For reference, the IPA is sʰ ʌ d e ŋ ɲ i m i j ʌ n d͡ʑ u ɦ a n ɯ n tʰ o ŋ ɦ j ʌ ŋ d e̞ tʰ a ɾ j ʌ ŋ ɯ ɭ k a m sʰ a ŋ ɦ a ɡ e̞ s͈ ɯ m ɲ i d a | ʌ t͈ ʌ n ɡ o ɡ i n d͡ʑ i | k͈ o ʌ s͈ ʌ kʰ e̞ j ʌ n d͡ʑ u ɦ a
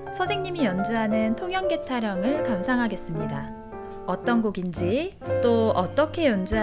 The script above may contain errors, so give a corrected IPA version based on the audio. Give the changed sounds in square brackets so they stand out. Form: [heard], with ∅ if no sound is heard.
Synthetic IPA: sʰ ʌ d e ŋ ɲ i m i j ʌ n d͡ʑ u ɦ a n ɯ n tʰ o ŋ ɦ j ʌ ŋ [ɡ] e̞ tʰ a ɾ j ʌ ŋ ɯ ɭ k a m sʰ a ŋ ɦ a ɡ e̞ s͈ ɯ m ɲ i d a | ʌ t͈ ʌ n ɡ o ɡ i n d͡ʑ i | [t͈] o ʌ [t͈] ʌ kʰ e̞ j ʌ n d͡ʑ u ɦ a